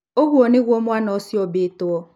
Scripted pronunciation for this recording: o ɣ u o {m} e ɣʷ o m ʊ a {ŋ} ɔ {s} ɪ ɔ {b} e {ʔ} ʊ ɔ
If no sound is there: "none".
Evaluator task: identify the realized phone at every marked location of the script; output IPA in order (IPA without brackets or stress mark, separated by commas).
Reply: n, n, s, b, t